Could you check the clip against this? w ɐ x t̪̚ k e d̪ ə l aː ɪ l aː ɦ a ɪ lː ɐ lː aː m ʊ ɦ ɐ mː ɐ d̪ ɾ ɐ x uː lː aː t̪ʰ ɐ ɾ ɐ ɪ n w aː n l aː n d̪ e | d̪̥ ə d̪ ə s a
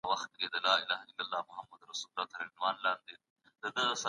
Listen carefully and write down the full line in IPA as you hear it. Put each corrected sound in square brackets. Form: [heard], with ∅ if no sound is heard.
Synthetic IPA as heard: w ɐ x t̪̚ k e d̪ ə l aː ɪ l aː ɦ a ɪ lː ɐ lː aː m ʊ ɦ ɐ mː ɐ d̪ ɾ ɐ [s] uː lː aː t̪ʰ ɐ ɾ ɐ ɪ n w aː n l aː n d̪ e | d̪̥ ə d̪ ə s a